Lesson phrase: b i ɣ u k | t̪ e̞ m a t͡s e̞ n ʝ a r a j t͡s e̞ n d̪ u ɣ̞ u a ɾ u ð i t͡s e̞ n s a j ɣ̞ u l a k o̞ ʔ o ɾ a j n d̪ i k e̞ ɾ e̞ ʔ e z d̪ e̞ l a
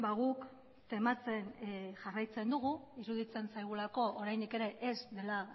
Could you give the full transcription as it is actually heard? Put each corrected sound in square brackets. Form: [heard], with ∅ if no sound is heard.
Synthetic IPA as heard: b [a] ɣ u k | t̪ e̞ m a t͡s e̞ n ʝ a r a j t͡s e̞ n d̪ u ɣ̞ u [i] ɾ u ð i t͡s e̞ n s a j ɣ̞ u l a k o̞ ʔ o ɾ a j n d̪ i k e̞ ɾ e̞ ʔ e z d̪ e̞ l a